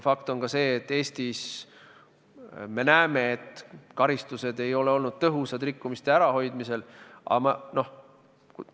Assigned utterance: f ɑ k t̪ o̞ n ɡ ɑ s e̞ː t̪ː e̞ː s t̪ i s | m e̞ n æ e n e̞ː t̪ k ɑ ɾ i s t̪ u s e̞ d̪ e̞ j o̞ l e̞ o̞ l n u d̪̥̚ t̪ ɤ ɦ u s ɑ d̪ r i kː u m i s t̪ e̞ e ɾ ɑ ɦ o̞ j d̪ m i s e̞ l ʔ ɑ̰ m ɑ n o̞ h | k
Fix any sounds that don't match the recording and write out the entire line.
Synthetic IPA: f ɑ k t̪ o̞ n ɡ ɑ s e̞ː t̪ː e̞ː s t̪ i s | m e̞ n æ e m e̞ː t̪ k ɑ ɾ i s t̪ u s e̞ d̪ e̞ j o̞ l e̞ o̞ l n u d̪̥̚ t̪ ɤ ɦ u s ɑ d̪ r i kː u m i s t̪ e̞ æ ɾ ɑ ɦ o̞ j d̪ m i s e̞ l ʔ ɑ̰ m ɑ n o̞ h | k

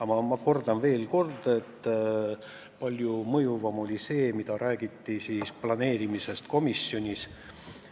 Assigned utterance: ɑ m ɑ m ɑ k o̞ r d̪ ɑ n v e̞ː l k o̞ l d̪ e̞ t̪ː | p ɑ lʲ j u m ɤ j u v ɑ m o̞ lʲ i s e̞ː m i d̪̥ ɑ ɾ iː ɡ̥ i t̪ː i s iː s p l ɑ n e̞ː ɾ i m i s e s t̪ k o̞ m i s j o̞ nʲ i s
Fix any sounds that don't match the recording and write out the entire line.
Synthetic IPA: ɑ m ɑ m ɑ k o̞ r d̪ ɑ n v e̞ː l k o̞ r d̪ e̞ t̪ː | p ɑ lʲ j u m ɤ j u v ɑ m o̞ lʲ i s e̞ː m i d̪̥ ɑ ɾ æː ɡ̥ i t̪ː i s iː s p l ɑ n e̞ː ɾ i m i s e s t̪ k o̞ m i s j o̞ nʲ i s

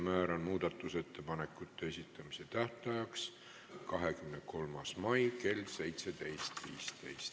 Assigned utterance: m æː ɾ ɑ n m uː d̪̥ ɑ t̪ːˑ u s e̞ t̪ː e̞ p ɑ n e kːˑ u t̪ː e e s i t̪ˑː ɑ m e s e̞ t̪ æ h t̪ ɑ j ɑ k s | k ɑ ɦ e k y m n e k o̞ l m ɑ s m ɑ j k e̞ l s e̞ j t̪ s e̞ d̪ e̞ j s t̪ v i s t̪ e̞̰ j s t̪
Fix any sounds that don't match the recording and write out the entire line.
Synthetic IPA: m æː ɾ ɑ n m uː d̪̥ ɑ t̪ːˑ u s e̞ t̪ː e̞ p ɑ n e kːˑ u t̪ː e e s i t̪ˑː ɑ m i s e̞ t̪ æ h t̪ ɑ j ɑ k s | k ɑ ɦ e k y m n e k o̞ l m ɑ s m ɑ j k e̞ l s e̞ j t̪ s e̞ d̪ e̞ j s t̪ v iː s t̪ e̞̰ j s t̪

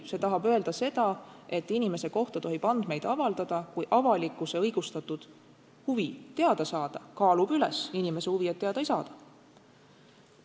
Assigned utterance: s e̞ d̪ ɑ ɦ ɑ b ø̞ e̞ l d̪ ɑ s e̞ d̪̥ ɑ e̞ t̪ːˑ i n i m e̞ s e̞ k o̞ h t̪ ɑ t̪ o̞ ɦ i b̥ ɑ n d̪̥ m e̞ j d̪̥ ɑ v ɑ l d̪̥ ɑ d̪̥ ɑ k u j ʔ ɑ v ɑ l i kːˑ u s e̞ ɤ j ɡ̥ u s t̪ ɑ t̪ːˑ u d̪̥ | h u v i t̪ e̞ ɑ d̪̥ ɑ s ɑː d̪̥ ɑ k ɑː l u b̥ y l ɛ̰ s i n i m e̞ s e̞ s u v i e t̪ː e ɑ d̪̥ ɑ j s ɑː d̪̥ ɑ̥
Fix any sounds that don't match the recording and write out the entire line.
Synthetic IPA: s e̞ t̪ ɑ ɦ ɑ b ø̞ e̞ l d̪ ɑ s e̞ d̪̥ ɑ e̞ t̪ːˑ i n i m e̞ s e̞ k o̞ h t̪ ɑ t̪ o̞ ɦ i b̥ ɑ n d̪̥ m e̞ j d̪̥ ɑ v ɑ l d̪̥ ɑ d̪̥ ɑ k u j ʔ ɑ v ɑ l i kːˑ u s e̞ ɤ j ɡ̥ u s t̪ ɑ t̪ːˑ u d̪̥ | h u v i t̪ e̞ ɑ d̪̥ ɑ s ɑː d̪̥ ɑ k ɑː l u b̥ y l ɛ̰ s i n i m e̞ s e̞ h u v i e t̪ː e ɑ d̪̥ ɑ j s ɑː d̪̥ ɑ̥

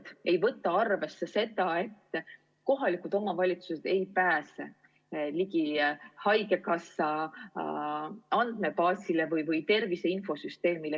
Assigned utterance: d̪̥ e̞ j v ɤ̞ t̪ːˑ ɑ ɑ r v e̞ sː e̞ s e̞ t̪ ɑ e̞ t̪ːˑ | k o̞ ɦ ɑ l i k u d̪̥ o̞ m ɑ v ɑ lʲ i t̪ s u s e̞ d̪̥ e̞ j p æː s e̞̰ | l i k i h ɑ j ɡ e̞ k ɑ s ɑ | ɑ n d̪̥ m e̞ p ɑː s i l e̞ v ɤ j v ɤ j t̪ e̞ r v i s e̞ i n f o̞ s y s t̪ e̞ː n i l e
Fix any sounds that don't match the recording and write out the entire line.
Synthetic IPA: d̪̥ e̞ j v ɤ̞ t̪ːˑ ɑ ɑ r v e̞ sː e̞ s e̞ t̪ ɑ e̞ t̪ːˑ | k o̞ ɦ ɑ l i k u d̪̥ o̞ m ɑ v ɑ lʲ i t̪ s u s e̞ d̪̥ e̞ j p æː s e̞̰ | l i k i h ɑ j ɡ e̞ k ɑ s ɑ | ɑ n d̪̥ m e̞ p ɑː s i l e̞ v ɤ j v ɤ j t̪ e̞ r v i s e̞ i n f o̞ s y s t̪ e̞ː m i l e

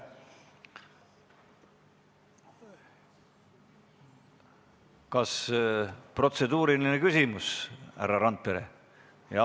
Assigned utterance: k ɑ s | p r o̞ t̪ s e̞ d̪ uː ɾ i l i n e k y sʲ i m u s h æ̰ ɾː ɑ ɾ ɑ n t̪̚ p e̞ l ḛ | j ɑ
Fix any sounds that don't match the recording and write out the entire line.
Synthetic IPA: k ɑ s | p r o̞ t̪ s e̞ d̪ uː ɾ i l i n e k y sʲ i m u s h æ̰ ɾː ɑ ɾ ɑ n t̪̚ p e̞ ɾ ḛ | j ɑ

